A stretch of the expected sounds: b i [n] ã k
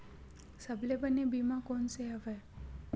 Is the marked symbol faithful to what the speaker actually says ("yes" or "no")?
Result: no